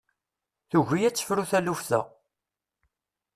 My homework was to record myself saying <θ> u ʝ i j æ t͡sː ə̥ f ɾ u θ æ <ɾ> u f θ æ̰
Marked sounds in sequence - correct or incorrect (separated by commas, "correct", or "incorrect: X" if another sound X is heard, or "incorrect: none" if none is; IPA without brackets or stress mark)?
correct, incorrect: l